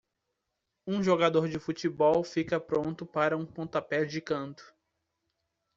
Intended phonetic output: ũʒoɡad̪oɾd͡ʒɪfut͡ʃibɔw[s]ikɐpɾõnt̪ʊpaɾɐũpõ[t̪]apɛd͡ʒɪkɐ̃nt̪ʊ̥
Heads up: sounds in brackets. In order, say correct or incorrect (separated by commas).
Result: incorrect, correct